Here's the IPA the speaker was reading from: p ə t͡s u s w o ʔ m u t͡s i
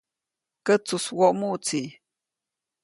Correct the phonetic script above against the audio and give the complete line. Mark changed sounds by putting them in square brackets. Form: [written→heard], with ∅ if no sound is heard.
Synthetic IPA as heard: [p→k] ə t͡s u s w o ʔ m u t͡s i